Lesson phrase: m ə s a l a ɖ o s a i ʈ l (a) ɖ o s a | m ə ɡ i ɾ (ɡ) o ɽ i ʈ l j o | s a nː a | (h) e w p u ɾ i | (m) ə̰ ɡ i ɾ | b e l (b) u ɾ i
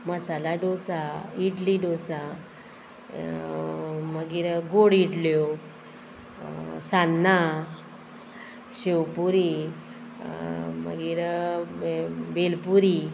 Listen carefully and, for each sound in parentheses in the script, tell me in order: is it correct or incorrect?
incorrect: i, correct, incorrect: ɕ, correct, incorrect: p

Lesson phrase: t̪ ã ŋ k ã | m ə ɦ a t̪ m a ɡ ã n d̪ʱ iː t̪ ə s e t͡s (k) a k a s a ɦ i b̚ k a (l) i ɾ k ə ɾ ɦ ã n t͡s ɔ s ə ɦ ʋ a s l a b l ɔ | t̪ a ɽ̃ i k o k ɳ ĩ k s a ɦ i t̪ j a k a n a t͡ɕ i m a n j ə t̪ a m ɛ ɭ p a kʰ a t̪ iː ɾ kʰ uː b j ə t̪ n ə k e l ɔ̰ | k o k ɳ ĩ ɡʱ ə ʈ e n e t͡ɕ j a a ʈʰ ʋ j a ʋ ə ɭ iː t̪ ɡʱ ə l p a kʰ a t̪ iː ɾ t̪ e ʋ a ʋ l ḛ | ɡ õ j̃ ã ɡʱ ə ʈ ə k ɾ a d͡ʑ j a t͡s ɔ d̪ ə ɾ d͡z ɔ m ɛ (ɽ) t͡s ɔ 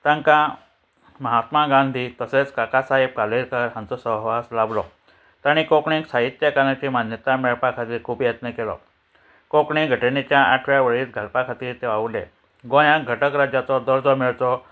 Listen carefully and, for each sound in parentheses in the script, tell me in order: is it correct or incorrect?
correct, correct, incorrect: ɭ

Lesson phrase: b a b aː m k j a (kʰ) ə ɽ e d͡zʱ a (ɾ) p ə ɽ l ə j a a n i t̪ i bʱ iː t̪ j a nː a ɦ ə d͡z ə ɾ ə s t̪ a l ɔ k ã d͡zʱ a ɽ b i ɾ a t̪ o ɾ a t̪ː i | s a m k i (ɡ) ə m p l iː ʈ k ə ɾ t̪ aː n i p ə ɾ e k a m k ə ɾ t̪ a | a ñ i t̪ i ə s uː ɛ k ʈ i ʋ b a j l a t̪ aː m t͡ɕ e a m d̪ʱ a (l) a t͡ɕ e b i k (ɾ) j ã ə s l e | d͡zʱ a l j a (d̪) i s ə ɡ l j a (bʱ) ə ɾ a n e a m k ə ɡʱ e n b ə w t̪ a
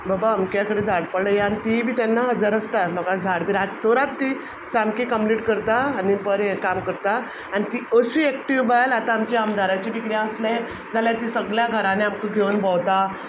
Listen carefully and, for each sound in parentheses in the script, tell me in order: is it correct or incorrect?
incorrect: k, incorrect: ɽ, incorrect: k, incorrect: ɾ, correct, incorrect: t̪, incorrect: ɡʱ

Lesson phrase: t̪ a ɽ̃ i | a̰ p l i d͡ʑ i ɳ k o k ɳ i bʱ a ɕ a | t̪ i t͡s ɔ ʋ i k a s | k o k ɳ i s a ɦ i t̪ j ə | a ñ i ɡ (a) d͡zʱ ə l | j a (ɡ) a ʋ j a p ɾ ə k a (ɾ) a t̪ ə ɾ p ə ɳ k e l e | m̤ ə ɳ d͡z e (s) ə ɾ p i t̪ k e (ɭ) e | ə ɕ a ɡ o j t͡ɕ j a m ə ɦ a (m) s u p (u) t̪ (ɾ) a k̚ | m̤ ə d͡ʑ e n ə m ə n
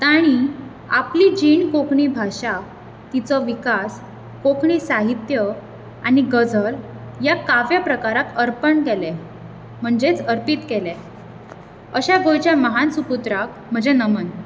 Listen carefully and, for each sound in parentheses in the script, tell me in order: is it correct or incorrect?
incorrect: ə, incorrect: k, correct, incorrect: t͡s, incorrect: l, incorrect: n, correct, correct

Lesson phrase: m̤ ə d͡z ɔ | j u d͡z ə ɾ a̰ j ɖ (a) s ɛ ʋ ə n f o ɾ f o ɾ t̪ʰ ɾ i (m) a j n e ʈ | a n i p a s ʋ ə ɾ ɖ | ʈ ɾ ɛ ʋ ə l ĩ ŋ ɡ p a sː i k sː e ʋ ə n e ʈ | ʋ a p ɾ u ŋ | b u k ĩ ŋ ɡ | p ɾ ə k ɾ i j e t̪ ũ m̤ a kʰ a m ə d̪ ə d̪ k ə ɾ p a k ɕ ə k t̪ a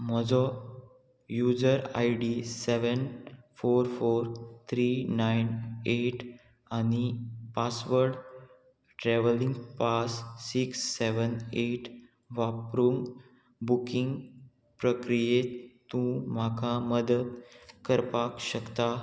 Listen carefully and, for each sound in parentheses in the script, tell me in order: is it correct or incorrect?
incorrect: i, incorrect: n

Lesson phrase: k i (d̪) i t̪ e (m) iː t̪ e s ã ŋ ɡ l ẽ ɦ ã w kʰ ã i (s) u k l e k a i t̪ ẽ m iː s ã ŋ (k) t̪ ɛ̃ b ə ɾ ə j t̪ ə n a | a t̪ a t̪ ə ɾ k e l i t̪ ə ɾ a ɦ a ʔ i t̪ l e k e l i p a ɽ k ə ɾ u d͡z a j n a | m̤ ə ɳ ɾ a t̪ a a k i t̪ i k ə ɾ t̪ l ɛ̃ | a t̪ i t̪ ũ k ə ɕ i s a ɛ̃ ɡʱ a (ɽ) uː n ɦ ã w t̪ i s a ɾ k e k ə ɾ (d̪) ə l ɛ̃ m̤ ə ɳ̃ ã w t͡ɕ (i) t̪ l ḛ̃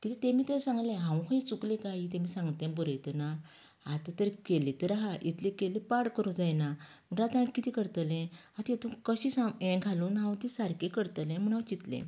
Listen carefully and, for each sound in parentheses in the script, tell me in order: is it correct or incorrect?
incorrect: t̪, correct, incorrect: t͡s, incorrect: ɡ, incorrect: l, incorrect: t̪, correct

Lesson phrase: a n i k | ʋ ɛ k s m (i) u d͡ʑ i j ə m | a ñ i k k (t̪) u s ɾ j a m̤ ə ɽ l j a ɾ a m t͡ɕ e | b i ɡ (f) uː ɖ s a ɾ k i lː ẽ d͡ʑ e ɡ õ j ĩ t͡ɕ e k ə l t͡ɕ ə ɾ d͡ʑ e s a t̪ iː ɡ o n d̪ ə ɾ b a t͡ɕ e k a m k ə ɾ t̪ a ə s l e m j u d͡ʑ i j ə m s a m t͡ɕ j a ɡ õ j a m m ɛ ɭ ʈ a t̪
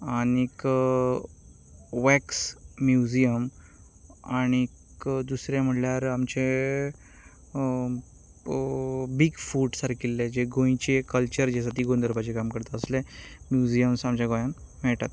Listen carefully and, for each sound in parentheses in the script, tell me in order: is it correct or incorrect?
incorrect: j, incorrect: d̪, correct

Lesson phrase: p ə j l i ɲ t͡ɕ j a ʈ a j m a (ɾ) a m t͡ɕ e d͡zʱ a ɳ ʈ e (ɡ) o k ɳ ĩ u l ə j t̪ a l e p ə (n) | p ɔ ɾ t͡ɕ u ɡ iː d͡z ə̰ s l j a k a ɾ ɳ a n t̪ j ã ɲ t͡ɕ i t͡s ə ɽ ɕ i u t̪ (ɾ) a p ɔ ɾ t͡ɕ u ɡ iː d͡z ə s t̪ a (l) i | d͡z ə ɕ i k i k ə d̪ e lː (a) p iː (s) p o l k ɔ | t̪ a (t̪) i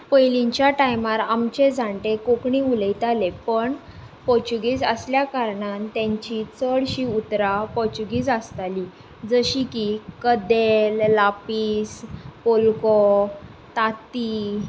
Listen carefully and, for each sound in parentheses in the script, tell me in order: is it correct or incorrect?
correct, incorrect: k, incorrect: ɳ, correct, correct, correct, correct, correct

